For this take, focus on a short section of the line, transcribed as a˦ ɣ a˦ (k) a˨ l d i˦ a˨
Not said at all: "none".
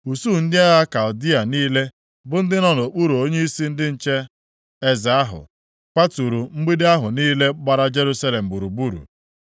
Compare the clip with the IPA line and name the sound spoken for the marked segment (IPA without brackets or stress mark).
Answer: k